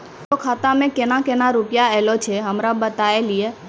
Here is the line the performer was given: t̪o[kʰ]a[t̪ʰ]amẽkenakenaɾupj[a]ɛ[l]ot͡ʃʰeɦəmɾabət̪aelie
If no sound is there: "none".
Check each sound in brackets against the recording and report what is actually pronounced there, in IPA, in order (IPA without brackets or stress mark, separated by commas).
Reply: kʰ, t̪, a, l